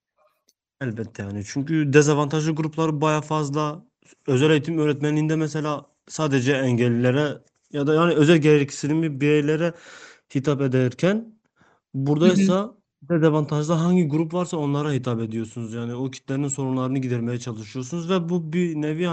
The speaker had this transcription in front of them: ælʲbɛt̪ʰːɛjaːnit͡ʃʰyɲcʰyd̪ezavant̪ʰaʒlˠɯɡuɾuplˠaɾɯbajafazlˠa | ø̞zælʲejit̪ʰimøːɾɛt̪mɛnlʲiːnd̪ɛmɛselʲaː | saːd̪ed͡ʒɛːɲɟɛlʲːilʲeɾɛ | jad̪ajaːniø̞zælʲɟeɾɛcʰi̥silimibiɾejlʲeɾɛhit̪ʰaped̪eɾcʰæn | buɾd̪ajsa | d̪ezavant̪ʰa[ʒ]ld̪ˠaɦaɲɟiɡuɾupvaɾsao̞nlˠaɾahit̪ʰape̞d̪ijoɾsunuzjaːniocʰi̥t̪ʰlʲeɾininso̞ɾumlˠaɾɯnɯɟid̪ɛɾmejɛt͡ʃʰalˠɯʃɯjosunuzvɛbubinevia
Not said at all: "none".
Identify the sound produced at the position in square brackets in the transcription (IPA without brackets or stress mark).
ʒ